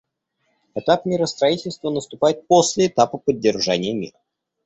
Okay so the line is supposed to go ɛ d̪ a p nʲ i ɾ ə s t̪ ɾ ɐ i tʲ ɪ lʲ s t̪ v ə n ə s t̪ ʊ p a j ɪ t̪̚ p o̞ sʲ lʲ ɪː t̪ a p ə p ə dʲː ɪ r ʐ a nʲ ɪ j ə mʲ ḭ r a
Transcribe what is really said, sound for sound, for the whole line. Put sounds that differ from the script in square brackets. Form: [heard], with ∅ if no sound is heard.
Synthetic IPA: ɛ [t̪] a p [mʲ] i ɾ ə s t̪ ɾ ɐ i tʲ ɪ lʲ s t̪ v ə n ə s t̪ ʊ p a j ɪ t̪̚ p o̞ sʲ lʲ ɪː t̪ a p ə p ə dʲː ɪ r ʐ a nʲ ɪ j ə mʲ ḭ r [ə]

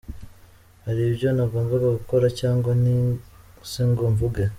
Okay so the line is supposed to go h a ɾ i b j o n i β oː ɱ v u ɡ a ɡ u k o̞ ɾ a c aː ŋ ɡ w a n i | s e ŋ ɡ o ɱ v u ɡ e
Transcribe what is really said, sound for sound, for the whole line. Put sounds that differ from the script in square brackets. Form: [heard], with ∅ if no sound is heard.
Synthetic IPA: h a ɾ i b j o n [a] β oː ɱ v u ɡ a ɡ u k o̞ ɾ a c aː ŋ ɡ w a n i | s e ŋ ɡ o ɱ v u ɡ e

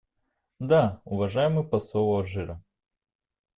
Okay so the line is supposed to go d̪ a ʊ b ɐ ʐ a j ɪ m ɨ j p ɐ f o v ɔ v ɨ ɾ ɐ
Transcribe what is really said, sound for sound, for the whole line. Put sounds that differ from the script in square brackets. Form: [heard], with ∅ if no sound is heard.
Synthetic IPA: d̪ a ʊ [v] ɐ ʐ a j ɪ m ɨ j p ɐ [s] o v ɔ [ʐ] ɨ ɾ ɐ

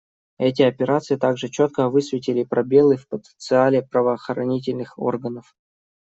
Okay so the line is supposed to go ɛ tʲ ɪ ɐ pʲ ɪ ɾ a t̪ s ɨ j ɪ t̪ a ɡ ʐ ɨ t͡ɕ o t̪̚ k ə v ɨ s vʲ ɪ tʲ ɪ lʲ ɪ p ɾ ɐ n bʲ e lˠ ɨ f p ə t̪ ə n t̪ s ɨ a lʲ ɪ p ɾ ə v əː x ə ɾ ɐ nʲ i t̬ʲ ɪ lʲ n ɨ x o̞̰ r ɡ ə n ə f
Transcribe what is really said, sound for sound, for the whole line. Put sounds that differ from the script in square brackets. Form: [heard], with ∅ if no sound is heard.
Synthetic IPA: ɛ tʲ ɪ ɐ pʲ ɪ ɾ a t̪ s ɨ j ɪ t̪ a ɡ ʐ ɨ t͡ɕ o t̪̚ k ə v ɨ s vʲ ɪ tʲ ɪ lʲ ɪ p ɾ ɐ [∅] bʲ e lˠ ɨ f p ə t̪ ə n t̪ s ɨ a lʲ ɪ p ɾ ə v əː x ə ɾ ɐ nʲ i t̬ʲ ɪ lʲ n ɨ x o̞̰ r ɡ ə n ə f

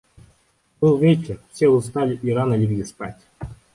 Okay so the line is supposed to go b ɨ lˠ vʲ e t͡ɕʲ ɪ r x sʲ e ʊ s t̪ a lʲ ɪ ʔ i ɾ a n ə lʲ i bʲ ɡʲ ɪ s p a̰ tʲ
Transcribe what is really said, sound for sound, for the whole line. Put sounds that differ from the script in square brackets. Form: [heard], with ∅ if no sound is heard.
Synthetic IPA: b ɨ lˠ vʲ e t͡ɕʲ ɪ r [f] sʲ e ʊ s t̪ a lʲ ɪ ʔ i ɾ a n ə lʲ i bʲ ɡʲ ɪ s p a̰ tʲ

